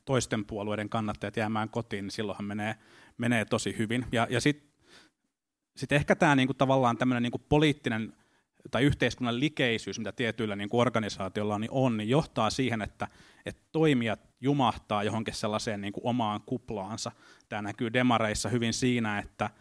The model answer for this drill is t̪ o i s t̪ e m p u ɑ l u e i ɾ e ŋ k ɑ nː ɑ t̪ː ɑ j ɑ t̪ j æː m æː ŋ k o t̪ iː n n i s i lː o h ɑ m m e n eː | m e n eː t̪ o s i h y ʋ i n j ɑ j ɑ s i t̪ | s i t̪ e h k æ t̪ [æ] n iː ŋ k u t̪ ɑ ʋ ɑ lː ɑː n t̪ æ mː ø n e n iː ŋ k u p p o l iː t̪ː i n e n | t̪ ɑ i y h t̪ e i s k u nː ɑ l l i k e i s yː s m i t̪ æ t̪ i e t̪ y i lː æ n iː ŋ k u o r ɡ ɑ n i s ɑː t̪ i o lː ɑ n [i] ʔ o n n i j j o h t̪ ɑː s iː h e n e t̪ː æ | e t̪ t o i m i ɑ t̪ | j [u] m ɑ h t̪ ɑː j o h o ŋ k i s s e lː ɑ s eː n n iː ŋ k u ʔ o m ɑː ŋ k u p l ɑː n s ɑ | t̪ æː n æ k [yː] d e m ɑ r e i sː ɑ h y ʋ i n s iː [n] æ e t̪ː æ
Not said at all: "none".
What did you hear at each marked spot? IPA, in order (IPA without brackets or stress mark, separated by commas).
æː, i, u, yː, n